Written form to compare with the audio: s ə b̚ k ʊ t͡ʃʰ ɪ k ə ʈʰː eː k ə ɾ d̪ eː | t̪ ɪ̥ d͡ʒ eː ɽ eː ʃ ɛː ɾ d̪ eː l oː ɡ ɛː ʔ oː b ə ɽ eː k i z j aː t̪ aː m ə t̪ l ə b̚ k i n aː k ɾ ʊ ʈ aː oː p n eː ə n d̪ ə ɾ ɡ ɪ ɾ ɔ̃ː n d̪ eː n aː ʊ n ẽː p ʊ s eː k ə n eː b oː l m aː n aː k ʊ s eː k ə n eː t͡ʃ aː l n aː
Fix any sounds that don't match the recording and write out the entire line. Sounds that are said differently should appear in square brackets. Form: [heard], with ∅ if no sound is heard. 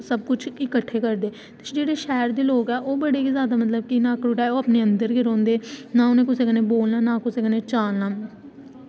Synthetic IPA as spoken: s ə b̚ k ʊ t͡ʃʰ ɪ k ə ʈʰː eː k ə ɾ d̪ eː | t̪ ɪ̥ d͡ʒ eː ɽ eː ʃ ɛː ɾ d̪ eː l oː ɡ ɛː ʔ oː b ə ɽ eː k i z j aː [d̪] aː m ə t̪ l ə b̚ k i n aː k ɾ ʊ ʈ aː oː p n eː ə n d̪ ə ɾ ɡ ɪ ɾ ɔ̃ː n d̪ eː n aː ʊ n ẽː [k] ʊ s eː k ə n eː b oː l [n] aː n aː k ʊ s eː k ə n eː t͡ʃ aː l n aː